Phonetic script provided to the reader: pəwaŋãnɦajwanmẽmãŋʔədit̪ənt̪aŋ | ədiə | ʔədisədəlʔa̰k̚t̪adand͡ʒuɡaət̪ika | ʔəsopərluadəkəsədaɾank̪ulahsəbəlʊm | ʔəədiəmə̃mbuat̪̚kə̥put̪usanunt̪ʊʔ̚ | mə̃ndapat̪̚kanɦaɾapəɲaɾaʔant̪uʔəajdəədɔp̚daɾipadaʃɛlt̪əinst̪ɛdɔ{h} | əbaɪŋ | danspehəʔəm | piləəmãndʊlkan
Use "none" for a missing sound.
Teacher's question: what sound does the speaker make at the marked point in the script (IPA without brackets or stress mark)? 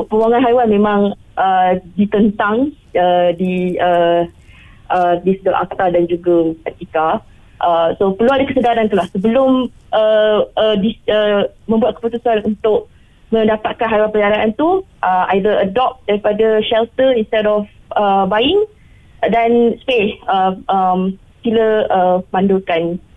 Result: f